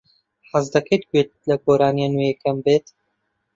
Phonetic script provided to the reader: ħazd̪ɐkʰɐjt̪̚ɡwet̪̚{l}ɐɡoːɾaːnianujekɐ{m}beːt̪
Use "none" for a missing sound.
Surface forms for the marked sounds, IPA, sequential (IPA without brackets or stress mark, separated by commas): l, m